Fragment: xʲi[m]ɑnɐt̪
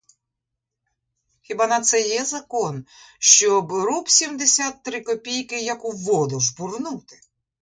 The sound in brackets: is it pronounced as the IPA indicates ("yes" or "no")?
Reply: no